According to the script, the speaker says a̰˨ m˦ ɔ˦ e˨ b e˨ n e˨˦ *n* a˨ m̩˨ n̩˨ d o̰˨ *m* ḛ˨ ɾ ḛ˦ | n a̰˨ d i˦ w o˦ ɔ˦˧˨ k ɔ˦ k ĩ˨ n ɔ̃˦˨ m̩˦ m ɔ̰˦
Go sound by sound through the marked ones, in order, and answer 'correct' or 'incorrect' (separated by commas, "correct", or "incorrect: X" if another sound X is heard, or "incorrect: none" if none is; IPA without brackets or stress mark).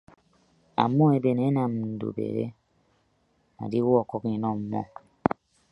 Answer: correct, incorrect: b